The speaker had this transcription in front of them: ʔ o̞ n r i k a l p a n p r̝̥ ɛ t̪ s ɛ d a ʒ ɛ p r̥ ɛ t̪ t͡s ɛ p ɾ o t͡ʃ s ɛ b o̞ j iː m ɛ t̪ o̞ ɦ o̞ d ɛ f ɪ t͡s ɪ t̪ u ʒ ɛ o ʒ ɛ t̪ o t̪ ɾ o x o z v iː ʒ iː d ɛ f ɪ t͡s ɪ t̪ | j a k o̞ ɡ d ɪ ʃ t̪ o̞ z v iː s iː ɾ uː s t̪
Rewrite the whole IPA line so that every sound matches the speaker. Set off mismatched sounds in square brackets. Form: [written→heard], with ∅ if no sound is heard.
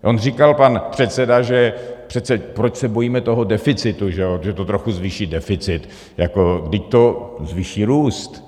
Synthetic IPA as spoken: ʔ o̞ n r i k a l p a n p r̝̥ ɛ t̪ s ɛ d a ʒ ɛ p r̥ ɛ t̪ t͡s ɛ p ɾ o t͡ʃ s ɛ b o̞ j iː m ɛ t̪ o̞ ɦ o̞ d ɛ f ɪ t͡s ɪ t̪ u ʒ ɛ o ʒ ɛ t̪ o t̪ ɾ o x [o→u] z v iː [ʒ→ʃ] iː d ɛ f ɪ t͡s ɪ t̪ | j a k o̞ ɡ d ɪ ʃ t̪ o̞ z v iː [s→ʃ] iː ɾ uː s t̪

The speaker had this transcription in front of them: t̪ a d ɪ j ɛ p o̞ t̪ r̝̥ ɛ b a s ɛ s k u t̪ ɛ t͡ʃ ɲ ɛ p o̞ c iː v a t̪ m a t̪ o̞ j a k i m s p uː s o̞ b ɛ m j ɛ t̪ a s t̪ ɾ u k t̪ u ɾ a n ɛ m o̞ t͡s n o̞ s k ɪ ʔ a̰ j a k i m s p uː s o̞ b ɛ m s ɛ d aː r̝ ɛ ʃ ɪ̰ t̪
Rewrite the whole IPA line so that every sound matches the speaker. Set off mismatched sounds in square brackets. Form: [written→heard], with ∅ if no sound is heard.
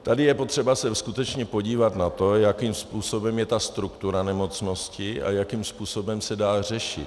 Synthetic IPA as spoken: t̪ a d ɪ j ɛ p o̞ t̪ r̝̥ ɛ b a s ɛ s k u t̪ ɛ t͡ʃ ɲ ɛ p o̞ [c→ɟ] iː v a t̪ [m→n] a t̪ o̞ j a k i m s p uː s o̞ b ɛ m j ɛ t̪ a s t̪ ɾ u k t̪ u ɾ a n ɛ m o̞ t͡s n o̞ s [k→c] ɪ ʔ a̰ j a k i m s p uː s o̞ b ɛ m s ɛ d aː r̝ ɛ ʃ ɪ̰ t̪

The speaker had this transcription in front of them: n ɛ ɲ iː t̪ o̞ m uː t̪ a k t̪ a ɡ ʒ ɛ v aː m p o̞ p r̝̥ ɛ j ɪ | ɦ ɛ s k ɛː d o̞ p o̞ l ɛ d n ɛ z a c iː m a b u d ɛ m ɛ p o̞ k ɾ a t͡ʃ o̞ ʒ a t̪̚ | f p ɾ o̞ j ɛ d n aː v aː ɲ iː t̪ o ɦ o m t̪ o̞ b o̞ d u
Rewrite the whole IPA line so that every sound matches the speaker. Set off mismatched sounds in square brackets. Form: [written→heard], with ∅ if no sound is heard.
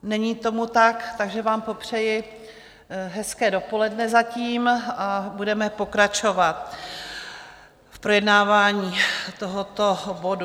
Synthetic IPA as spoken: n ɛ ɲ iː t̪ o̞ m [uː→u] t̪ a k t̪ a ɡ ʒ ɛ v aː m p o̞ p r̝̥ ɛ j ɪ | ɦ ɛ s k ɛː d o̞ p o̞ l ɛ d n ɛ z a c iː m a b u d ɛ m ɛ p o̞ k ɾ a t͡ʃ o̞ [ʒ→v] a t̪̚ | f p ɾ o̞ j ɛ d n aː v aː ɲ iː t̪ o ɦ o [m→∅] t̪ o̞ b o̞ d u

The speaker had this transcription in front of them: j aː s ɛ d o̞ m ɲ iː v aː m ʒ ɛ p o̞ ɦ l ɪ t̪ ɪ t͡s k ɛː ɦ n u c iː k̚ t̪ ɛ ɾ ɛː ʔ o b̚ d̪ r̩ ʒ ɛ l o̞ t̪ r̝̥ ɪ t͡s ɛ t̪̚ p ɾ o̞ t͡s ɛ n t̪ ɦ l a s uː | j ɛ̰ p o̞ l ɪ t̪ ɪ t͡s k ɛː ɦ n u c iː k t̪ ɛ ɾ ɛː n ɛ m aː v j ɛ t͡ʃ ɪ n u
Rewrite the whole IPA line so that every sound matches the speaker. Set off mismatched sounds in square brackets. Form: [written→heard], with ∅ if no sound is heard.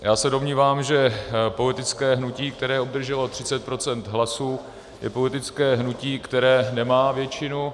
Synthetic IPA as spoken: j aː s ɛ d o̞ m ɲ iː v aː m ʒ ɛ p o̞ [ɦ→∅] l ɪ t̪ ɪ t͡s k ɛː ɦ n u c iː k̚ t̪ ɛ ɾ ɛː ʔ o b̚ d̪ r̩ ʒ ɛ l o̞ t̪ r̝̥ ɪ t͡s ɛ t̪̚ p ɾ o̞ t͡s ɛ n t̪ ɦ l a s uː | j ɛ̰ p o̞ l ɪ t̪ ɪ t͡s k ɛː ɦ n u c iː k t̪ ɛ ɾ ɛː n ɛ m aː v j ɛ t͡ʃ ɪ n u

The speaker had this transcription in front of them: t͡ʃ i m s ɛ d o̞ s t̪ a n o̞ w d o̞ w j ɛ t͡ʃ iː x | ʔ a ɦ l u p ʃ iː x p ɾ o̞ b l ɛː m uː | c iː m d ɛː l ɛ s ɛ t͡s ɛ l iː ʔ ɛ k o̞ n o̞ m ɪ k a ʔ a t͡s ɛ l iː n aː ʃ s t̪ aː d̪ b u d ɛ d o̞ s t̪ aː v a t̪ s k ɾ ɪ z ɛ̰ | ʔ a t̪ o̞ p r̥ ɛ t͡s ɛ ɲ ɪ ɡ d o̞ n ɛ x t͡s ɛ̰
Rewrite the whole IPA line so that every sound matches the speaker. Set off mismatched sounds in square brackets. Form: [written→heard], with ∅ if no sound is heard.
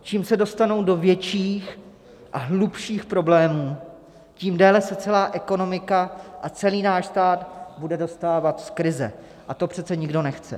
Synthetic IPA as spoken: t͡ʃ [i→iː] m s ɛ d o̞ s t̪ a n o̞ w d o̞ [w→v] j ɛ t͡ʃ iː x | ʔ a ɦ l u p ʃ iː x p ɾ o̞ b l ɛː m uː | c iː m d ɛː l ɛ s ɛ t͡s ɛ l [iː→aː] ʔ ɛ k o̞ n o̞ m ɪ k a ʔ a t͡s ɛ l iː n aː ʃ s t̪ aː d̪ b u d ɛ d o̞ s t̪ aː v a t̪ s k ɾ ɪ z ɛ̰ | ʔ a t̪ o̞ p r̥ ɛ t͡s ɛ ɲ ɪ ɡ d o̞ n ɛ x t͡s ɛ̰

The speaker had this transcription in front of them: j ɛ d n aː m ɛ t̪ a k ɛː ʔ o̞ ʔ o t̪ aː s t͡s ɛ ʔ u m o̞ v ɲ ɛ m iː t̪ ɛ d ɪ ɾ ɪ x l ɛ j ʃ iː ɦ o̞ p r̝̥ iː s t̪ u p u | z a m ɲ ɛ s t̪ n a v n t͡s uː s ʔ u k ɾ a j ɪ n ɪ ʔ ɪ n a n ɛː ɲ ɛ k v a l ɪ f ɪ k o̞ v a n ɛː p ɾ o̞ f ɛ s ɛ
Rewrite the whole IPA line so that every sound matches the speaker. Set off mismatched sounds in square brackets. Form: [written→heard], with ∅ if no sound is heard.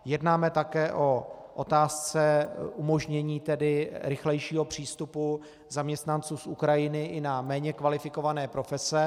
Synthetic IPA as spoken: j ɛ d n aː m ɛ t̪ a k ɛː ʔ o̞ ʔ o t̪ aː s t͡s ɛ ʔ u m o̞ [v→ʒ] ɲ ɛ [m→ɲ] iː t̪ ɛ d ɪ ɾ ɪ x l ɛ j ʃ iː ɦ o̞ p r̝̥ iː s t̪ u p u | z a m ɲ ɛ s t̪ n a [v→∅] n t͡s uː s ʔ u k ɾ a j ɪ n ɪ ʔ ɪ n a [n→m] ɛː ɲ ɛ k v a l ɪ f ɪ k o̞ v a n ɛː p ɾ o̞ f ɛ s ɛ

